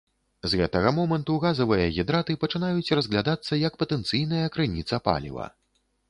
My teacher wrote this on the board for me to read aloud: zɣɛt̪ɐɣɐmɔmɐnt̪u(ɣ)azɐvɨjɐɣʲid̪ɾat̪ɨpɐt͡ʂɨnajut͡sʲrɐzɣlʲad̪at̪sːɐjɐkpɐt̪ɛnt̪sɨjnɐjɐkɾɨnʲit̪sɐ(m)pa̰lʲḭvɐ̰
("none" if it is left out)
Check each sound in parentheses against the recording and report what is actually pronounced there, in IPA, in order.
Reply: ɣ, none

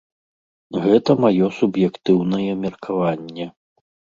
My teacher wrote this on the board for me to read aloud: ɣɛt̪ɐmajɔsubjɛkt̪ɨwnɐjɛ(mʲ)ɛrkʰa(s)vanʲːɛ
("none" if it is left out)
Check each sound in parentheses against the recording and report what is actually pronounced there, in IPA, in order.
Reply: mʲ, none

